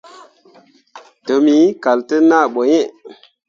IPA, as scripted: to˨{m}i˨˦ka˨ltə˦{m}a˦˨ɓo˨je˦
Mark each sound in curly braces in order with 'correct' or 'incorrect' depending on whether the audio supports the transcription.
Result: correct, incorrect

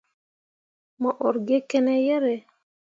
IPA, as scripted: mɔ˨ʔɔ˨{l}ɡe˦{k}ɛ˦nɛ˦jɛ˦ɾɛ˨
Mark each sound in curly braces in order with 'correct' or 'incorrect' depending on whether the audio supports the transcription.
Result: incorrect, correct

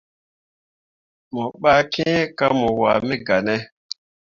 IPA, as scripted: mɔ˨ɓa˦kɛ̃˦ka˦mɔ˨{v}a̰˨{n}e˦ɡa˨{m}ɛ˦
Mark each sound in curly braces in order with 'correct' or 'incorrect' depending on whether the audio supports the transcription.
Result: incorrect, incorrect, incorrect

